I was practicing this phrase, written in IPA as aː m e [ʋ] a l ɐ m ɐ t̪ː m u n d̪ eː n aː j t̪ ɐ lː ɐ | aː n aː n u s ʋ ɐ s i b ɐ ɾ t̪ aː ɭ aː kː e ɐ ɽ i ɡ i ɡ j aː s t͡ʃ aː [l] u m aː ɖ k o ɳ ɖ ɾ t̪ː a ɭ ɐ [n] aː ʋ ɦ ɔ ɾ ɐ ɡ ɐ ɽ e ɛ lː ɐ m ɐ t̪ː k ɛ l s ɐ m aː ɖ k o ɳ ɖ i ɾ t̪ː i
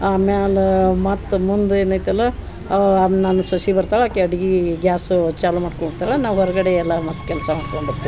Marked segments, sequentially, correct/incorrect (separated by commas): incorrect, correct, correct